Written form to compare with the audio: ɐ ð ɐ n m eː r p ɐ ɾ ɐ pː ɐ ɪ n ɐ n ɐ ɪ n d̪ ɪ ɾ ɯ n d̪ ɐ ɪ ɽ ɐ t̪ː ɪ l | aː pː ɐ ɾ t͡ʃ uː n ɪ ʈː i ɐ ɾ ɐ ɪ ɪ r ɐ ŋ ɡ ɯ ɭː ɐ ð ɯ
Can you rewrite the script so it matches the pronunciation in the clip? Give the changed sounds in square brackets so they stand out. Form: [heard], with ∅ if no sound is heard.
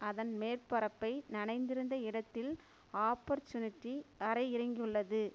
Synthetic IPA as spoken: ɐ ð ɐ n m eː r p ɐ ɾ ɐ pː ɐ ɪ n ɐ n ɐ ɪ n d̪ ɪ ɾ ɯ n d̪ ɐ ɪ ɽ ɐ t̪ː ɪ l | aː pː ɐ ɾ t͡ʃ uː n ɪ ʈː i ɐ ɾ ɐ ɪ ɪ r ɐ ŋ ɡ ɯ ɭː ɐ ð ɯ